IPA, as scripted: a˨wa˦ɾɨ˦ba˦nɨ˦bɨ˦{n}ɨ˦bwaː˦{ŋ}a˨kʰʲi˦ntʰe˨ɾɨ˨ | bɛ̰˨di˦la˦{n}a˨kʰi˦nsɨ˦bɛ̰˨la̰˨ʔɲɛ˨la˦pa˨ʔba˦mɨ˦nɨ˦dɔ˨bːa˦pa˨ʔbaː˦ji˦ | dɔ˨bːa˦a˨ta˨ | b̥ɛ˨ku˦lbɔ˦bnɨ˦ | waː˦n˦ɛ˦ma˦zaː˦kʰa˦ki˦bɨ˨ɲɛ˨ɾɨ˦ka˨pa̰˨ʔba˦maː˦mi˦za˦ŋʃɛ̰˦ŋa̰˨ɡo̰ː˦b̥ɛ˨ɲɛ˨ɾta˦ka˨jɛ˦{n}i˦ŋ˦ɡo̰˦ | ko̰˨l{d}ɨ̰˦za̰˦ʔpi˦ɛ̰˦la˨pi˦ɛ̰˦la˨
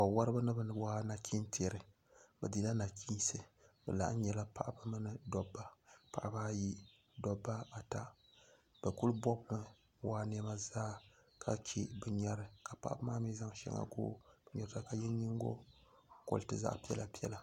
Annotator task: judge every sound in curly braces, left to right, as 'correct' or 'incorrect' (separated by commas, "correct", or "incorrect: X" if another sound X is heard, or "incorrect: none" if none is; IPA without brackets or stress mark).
correct, incorrect: n, correct, incorrect: ɲ, incorrect: t